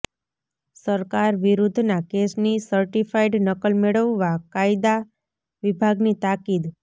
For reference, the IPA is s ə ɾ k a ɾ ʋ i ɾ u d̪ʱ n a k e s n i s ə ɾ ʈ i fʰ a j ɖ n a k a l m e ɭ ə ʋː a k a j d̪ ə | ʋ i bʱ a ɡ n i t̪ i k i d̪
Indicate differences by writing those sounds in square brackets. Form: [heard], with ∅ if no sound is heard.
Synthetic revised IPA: s ə ɾ k a ɾ ʋ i ɾ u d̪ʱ n a k e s n i s ə ɾ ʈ i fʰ a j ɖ n [ə] k [ə] l m e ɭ ə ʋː a k a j d̪ [a] | ʋ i bʱ a ɡ n i t̪ [a] k i d̪